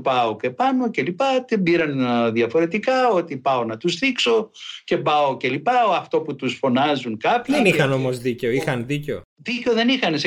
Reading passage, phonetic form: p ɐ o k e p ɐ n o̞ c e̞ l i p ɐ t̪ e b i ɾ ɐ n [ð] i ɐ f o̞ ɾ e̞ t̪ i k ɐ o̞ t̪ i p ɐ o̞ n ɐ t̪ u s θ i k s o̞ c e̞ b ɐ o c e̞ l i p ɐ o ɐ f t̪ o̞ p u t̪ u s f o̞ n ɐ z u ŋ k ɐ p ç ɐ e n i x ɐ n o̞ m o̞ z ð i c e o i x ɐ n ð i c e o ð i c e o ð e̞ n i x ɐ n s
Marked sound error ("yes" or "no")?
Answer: no